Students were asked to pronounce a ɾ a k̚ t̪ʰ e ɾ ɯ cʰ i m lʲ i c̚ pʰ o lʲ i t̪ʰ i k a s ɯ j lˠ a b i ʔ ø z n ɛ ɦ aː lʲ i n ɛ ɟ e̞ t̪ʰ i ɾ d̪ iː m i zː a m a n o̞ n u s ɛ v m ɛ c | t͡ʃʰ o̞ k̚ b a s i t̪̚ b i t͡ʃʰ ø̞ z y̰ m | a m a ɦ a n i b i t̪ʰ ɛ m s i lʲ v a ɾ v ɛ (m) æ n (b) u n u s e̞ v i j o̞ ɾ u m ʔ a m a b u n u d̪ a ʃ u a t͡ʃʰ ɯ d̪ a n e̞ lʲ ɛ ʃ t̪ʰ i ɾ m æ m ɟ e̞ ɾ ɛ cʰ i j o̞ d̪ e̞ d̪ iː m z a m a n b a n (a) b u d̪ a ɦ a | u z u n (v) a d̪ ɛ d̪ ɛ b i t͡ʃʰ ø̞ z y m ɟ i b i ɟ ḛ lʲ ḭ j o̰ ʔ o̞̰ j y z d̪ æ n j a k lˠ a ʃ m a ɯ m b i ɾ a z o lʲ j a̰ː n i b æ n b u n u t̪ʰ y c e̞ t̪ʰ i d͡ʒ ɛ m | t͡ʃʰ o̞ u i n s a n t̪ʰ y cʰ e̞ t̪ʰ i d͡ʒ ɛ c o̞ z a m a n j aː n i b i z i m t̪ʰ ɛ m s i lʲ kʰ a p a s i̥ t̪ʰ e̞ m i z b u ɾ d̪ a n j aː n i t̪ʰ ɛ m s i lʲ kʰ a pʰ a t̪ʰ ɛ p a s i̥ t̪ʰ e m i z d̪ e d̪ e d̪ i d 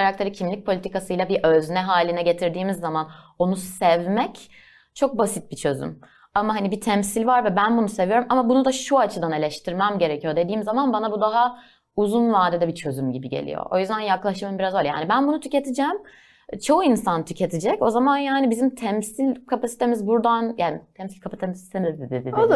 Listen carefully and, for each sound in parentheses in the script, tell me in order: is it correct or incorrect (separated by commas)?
incorrect, correct, correct, correct